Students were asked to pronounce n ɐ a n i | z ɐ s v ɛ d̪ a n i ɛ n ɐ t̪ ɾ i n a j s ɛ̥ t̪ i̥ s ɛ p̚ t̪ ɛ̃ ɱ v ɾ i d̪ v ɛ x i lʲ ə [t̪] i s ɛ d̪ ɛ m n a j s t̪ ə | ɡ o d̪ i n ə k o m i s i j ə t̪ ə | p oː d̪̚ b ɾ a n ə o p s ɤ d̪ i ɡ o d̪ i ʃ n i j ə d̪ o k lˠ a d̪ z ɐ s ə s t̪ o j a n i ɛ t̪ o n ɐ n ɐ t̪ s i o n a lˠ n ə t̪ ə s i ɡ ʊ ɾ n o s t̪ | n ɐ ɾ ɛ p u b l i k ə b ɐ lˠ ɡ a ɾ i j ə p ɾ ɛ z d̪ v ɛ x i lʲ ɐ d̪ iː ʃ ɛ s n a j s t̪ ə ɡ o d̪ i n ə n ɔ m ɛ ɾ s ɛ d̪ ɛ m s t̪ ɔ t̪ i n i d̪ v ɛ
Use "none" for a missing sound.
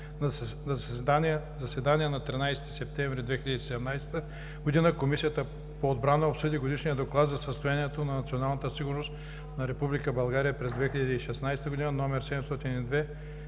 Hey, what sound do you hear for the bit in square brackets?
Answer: d̪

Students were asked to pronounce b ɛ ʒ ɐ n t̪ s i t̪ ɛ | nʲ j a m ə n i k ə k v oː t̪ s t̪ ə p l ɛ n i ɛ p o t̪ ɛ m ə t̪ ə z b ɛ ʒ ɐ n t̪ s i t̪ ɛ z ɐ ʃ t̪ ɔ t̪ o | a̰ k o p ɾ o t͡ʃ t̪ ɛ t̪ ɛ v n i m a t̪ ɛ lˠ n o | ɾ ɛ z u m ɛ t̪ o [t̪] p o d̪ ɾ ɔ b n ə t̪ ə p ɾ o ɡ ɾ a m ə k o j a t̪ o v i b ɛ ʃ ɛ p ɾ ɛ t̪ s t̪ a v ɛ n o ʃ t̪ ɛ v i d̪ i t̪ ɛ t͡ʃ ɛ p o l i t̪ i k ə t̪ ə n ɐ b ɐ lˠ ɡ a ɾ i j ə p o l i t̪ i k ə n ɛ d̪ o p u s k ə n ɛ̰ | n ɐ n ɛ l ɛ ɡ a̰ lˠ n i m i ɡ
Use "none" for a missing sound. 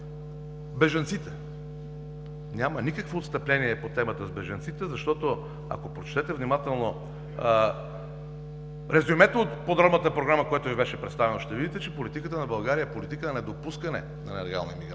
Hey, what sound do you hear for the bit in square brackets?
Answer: t̪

